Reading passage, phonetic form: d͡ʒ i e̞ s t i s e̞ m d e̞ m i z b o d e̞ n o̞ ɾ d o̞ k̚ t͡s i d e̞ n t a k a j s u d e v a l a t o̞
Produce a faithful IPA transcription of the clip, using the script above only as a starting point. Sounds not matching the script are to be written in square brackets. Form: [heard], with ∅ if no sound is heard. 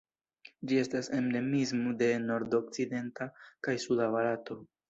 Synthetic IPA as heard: d͡ʒ i e̞ s t [a] s e̞ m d e̞ m i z [m] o d e̞ n o̞ ɾ d o̞ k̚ t͡s i d e̞ n t a k a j s u d [a] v a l a t o̞